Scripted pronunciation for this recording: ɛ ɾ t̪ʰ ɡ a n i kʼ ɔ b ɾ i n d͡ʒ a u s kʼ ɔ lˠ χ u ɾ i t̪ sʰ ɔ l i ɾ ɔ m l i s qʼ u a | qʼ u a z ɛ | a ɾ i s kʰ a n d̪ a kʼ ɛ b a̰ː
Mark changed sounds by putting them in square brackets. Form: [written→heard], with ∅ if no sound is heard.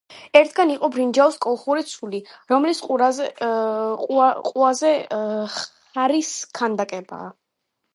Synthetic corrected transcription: ɛ ɾ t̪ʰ ɡ a n i [kʼ→qʼ] ɔ b ɾ i n d͡ʒ a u s kʼ ɔ lˠ χ u ɾ i t̪ sʰ [ɔ→u] l i ɾ ɔ m l i s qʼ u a | qʼ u a z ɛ | a ɾ i s kʰ a n d̪ a kʼ ɛ b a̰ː